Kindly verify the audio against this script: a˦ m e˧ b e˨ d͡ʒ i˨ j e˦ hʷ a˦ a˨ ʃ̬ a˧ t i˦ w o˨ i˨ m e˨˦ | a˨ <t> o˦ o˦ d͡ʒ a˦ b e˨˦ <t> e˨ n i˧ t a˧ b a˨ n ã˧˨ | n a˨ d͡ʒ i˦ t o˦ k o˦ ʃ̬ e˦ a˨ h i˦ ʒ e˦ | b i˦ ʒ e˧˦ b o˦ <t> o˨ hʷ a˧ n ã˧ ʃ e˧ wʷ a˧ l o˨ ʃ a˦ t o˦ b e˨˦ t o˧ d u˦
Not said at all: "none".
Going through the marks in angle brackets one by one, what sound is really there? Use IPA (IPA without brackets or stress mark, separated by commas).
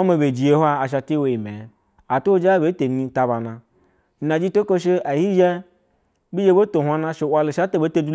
t, t, t